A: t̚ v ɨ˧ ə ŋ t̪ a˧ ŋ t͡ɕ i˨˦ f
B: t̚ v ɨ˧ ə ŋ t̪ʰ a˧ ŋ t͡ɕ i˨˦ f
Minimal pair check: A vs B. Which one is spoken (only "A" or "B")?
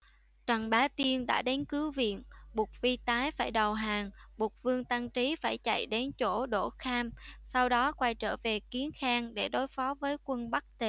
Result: A